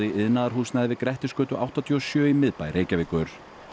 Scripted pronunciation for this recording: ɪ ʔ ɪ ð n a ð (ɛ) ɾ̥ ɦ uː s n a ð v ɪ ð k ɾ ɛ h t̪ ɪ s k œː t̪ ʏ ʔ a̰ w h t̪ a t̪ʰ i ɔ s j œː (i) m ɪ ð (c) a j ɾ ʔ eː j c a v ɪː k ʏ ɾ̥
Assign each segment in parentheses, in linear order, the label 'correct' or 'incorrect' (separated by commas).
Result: incorrect, correct, incorrect